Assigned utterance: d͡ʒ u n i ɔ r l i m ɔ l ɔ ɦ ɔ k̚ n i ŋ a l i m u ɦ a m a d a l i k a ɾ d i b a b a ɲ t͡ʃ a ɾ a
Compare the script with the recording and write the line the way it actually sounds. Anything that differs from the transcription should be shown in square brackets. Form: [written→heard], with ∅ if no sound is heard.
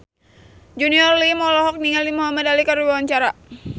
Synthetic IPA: d͡ʒ u n i ɔ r l i m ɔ l ɔ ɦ ɔ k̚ n i ŋ a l i m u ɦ a m a d a l i k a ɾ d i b a [b→w] a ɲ t͡ʃ a ɾ a